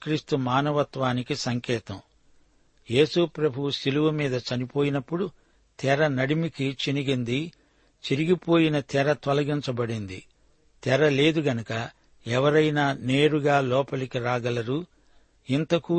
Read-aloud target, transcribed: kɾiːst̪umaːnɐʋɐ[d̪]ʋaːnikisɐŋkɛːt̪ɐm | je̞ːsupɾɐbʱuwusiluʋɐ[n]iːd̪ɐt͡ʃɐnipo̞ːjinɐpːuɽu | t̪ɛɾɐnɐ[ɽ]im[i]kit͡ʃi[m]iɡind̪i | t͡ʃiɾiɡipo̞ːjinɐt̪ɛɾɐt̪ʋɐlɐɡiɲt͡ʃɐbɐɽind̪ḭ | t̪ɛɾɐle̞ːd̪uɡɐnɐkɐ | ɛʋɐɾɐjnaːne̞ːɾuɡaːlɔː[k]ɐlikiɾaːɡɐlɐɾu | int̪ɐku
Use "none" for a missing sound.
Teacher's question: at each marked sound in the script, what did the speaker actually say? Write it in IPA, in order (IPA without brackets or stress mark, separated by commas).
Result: t̪, m, ɽ, i, n, p